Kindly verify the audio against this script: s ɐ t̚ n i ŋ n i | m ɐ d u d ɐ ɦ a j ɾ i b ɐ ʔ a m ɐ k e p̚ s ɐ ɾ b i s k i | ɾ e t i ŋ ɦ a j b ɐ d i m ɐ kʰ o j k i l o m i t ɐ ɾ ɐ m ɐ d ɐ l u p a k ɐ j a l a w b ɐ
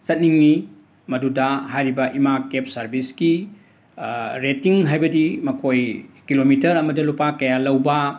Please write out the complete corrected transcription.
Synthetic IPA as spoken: s ɐ t̚ n i ŋ n i | m ɐ d u d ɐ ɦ a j ɾ i b ɐ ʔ i m a k e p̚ s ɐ ɾ b i s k i | ɾ e t i ŋ ɦ a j b ɐ d i m ɐ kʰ o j k i l o m i t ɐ ɾ ɐ m ɐ d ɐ l u p a k ɐ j a l ɐ w b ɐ